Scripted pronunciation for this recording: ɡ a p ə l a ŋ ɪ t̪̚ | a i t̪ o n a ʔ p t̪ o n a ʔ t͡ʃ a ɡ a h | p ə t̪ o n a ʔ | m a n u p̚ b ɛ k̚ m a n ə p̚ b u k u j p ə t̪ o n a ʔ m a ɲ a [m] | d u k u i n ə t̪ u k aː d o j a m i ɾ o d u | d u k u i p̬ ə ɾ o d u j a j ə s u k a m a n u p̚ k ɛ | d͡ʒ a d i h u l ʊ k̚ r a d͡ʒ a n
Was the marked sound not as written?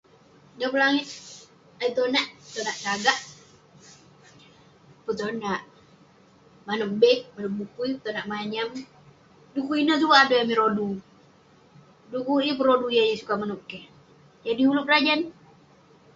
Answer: no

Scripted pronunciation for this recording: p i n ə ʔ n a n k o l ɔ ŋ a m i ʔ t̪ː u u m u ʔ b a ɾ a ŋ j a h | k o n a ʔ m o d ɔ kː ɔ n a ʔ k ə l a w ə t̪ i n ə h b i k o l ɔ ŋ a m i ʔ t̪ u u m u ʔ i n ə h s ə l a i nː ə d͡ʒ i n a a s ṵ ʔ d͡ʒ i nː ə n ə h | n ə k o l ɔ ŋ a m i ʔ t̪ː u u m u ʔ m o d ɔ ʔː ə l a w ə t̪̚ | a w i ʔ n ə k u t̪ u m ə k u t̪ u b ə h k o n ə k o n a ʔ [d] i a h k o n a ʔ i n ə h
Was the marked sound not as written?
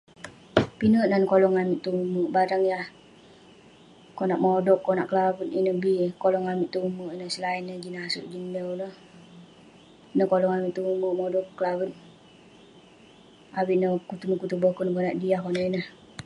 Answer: no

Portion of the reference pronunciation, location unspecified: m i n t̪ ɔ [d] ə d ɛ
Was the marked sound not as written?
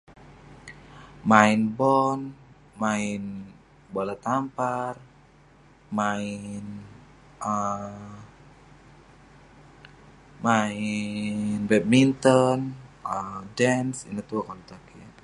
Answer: yes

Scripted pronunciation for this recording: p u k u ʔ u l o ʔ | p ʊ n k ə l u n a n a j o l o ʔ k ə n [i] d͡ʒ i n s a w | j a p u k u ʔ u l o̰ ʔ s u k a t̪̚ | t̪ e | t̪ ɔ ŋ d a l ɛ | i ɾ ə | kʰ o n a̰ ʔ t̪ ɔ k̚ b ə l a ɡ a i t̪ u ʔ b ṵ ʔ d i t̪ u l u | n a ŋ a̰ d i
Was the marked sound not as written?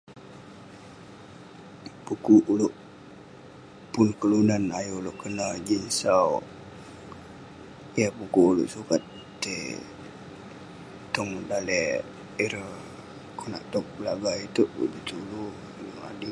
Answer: yes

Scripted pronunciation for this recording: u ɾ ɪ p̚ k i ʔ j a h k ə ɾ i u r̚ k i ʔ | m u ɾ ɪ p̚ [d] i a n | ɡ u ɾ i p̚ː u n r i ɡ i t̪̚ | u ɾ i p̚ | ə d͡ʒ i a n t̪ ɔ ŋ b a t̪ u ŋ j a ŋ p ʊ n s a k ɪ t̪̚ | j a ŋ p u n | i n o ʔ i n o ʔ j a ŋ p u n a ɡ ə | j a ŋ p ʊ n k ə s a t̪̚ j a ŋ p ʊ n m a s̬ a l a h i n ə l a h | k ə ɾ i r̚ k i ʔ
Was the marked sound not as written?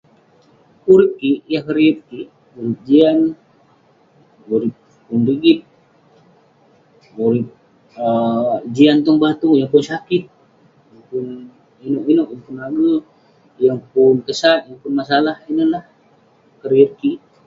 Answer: yes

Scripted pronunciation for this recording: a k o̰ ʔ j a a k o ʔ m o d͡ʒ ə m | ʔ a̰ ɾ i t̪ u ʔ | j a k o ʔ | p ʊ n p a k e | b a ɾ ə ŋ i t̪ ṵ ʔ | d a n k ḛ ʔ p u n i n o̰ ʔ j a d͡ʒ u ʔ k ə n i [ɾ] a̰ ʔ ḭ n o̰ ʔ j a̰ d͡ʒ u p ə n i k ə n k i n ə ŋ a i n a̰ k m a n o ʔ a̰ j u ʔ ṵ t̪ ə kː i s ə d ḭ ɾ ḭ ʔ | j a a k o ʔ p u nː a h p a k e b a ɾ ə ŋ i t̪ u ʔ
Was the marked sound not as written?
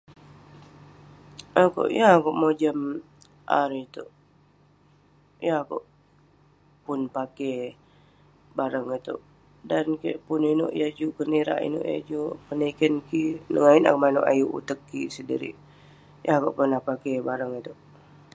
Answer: no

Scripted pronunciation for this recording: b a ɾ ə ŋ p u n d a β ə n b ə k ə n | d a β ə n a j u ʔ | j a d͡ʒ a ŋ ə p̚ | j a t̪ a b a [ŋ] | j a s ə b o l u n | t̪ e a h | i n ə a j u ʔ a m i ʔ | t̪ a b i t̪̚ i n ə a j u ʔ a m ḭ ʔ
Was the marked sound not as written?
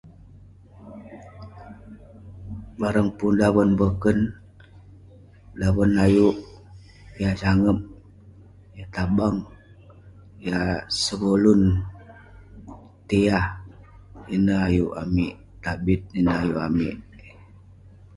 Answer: no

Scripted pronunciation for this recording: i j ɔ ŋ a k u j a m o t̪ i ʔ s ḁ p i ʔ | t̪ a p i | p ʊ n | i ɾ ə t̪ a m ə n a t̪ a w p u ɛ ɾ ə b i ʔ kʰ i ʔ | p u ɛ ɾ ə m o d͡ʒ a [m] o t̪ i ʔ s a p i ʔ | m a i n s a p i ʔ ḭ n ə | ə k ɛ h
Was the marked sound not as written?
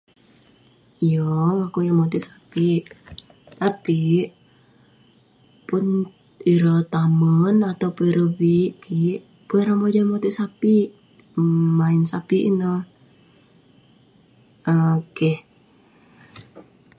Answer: no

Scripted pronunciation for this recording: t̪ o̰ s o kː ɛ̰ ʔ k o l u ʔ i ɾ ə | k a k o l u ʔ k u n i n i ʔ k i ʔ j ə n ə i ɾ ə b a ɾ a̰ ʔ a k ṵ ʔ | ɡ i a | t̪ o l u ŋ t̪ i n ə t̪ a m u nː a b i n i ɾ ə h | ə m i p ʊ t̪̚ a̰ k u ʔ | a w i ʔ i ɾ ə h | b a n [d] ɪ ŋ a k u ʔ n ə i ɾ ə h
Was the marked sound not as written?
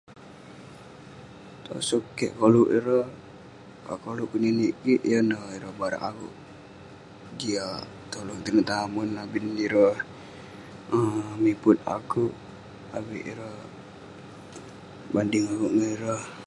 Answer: no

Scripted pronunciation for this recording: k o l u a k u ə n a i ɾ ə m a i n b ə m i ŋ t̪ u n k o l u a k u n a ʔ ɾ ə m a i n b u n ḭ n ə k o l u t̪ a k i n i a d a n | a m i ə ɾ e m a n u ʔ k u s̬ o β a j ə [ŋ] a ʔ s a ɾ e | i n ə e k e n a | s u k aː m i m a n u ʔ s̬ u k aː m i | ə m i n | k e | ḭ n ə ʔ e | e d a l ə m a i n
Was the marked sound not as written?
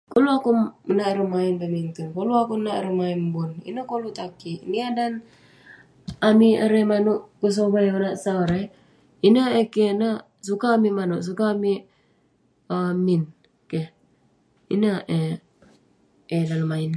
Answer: yes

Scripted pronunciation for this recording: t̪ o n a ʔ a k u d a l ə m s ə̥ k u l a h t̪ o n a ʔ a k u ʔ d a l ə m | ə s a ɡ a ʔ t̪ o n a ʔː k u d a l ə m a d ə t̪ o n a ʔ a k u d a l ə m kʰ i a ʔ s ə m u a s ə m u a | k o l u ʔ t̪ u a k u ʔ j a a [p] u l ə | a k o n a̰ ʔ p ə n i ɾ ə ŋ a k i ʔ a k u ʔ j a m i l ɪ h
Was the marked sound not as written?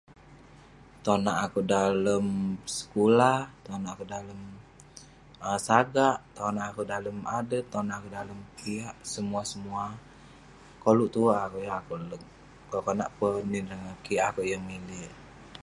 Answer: yes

